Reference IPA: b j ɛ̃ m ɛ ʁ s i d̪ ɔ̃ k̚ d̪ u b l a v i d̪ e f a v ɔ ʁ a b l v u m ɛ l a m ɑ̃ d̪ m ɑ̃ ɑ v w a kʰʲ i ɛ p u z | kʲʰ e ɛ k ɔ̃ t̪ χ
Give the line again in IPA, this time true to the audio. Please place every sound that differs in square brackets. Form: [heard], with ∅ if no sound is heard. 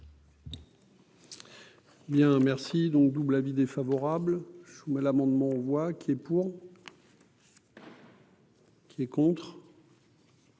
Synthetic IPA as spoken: b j ɛ̃ m ɛ ʁ s i d̪ ɔ̃ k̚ d̪ u b l a v i d̪ e f a v ɔ ʁ a b l [ʒ] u m ɛ l a m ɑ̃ d̪ m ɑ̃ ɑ v w a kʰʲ i ɛ p u [ʁ] | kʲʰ [i] ɛ k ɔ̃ t̪ χ